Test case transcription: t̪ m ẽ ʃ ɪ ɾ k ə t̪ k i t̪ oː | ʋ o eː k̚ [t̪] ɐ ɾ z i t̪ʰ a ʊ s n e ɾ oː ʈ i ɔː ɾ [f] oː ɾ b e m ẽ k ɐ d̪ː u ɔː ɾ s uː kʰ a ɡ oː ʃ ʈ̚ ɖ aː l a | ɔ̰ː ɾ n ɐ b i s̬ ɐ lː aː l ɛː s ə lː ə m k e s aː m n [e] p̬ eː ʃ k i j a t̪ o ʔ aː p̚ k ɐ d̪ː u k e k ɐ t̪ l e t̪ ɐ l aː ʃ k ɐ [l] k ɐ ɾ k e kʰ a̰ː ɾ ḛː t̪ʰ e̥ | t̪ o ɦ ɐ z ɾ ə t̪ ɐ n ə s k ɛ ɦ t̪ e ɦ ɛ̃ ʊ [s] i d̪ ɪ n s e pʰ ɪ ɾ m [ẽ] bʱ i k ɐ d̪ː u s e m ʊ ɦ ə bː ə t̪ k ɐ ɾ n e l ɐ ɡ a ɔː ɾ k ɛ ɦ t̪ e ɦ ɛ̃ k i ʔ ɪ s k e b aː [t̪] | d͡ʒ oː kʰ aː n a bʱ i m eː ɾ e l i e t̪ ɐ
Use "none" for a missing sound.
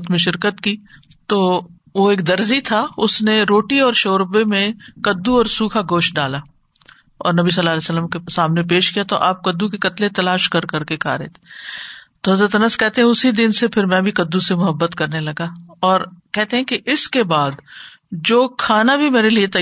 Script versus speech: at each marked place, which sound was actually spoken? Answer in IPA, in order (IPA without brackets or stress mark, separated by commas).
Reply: d̪, ʃ, e, ɾ, s, ɛ̃, d̪